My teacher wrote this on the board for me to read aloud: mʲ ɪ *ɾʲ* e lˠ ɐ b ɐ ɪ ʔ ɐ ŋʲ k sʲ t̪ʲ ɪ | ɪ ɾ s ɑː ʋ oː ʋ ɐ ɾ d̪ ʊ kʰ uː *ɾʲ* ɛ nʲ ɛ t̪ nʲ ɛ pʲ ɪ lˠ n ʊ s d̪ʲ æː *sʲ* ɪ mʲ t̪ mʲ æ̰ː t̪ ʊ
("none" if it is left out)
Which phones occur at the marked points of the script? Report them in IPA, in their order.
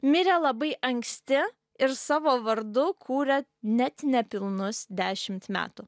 ɾʲ, ɾʲ, ʃʲ

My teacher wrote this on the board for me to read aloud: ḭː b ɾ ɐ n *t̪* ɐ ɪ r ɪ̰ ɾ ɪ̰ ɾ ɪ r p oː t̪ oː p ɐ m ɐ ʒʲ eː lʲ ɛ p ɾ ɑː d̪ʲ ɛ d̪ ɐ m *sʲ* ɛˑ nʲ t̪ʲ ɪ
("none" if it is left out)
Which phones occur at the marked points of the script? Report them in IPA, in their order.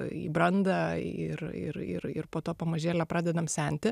d̪, sʲ

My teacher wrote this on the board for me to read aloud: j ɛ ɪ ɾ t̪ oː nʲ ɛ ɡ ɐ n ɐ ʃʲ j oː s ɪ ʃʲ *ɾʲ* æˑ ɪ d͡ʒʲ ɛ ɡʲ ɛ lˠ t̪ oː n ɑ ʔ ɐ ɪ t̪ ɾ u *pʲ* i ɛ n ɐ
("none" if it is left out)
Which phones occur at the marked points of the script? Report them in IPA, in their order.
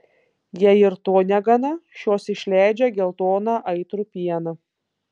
lʲ, pʲ

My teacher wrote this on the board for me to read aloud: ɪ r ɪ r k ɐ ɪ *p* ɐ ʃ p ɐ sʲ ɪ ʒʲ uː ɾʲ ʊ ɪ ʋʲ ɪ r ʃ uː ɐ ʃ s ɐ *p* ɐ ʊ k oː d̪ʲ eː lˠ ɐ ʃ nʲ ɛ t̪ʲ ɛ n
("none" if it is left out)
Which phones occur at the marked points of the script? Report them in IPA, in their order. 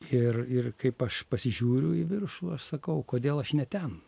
p, k

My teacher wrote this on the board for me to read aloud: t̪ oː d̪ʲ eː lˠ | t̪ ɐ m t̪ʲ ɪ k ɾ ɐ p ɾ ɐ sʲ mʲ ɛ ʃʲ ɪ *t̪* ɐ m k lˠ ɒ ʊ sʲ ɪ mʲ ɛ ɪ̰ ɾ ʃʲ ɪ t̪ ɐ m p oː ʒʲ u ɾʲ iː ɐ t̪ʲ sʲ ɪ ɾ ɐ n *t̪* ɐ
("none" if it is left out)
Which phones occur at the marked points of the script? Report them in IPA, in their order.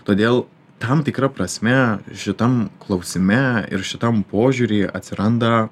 t̪, d̪

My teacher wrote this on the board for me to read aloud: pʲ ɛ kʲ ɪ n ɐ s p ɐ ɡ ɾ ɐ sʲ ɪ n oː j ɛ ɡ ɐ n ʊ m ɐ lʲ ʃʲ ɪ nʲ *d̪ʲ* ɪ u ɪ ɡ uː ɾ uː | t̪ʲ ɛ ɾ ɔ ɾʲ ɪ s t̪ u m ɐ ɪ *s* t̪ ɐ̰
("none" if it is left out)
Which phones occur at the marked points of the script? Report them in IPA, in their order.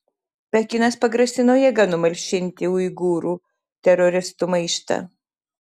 t̪ʲ, ʃ

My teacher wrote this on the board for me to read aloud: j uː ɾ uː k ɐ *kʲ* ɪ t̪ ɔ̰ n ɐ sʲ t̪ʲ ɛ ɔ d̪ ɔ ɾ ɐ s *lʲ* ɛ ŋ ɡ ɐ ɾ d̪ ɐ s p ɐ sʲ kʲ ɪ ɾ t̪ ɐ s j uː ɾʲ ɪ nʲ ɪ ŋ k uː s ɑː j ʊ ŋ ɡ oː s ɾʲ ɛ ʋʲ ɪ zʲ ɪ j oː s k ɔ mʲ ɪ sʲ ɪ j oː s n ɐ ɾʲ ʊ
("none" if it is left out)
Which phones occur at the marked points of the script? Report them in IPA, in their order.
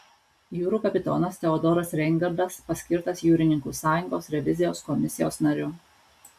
pʲ, ɾʲ

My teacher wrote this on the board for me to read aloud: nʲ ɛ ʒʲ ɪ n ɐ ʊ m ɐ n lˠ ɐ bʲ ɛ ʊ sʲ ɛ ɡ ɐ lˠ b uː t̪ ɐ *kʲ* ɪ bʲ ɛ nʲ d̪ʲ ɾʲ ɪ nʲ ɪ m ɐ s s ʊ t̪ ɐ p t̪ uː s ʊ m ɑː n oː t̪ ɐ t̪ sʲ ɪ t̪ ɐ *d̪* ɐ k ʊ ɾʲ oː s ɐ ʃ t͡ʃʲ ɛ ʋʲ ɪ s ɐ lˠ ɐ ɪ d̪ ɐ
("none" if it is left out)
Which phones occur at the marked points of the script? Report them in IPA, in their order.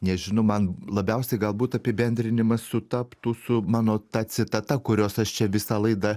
pʲ, t̪

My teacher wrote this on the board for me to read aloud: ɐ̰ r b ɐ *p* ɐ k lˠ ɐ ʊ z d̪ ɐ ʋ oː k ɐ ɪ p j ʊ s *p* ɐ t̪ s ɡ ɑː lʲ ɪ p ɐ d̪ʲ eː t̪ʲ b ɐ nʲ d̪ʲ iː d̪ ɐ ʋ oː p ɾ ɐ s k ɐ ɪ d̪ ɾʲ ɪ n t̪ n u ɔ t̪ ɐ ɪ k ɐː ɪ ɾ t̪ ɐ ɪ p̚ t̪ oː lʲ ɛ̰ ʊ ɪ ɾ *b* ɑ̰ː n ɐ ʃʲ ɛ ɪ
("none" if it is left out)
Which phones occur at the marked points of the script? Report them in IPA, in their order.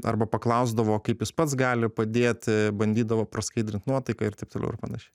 p, p, p

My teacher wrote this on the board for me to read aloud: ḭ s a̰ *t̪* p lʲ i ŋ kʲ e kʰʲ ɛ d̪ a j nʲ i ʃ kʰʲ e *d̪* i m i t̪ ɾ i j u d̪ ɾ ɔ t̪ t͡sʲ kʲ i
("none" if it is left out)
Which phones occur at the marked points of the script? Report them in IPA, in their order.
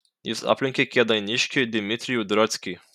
none, d̪

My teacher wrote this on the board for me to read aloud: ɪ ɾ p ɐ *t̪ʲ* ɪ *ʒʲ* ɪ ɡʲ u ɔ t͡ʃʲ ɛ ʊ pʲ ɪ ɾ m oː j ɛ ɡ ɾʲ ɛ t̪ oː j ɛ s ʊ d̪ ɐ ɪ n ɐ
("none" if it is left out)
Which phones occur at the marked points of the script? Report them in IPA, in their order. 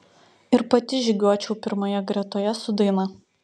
t̪ʲ, ʒʲ

